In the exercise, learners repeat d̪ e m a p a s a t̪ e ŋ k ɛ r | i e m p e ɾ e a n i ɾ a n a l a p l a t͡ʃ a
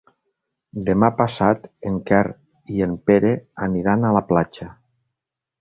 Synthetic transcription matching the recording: d̪ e m a p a s a t̪ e ŋ k ɛ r | i e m p e ɾ e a n i ɾ a n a l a p l a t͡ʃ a